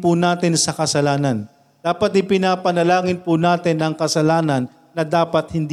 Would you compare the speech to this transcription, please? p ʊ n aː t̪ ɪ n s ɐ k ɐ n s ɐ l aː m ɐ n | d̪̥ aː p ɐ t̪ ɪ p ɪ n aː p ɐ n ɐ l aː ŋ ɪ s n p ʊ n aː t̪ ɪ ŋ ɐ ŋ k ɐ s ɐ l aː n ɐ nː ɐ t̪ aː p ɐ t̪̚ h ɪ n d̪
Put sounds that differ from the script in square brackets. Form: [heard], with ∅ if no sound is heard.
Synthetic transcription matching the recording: p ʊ n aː t̪ ɪ n s ɐ k ɐ [∅] s ɐ l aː [n] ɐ n | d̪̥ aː p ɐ t̪ ɪ p ɪ n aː p ɐ n ɐ l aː ŋ ɪ [∅] n p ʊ n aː t̪ ɪ [n] ɐ ŋ k ɐ s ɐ l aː n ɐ nː ɐ [d̪] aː p ɐ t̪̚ h ɪ n d̪